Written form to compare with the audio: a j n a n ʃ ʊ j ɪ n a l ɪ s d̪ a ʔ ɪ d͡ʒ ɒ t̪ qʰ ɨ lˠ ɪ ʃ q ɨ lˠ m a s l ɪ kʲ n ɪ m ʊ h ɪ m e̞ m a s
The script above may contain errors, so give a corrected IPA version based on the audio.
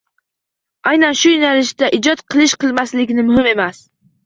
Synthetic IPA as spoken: a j n a n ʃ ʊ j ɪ n a l ɪ ʃ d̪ a ʔ ɪ d͡ʒ ɒ t̪ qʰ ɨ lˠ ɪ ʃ q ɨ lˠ m a s l ɪ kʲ n ɪ m ʊ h ɪ m e̞ m a s